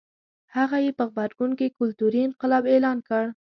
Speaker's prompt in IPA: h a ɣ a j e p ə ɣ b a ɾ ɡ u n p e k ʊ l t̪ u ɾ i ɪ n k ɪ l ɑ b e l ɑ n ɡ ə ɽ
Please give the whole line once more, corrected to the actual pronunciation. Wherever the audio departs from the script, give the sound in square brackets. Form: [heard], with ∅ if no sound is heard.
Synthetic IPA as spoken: h a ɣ a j e p ə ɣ b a ɾ ɡ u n [k] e k ʊ l t̪ u ɾ i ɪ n [q] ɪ l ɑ b e l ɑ n [k] ə ɽ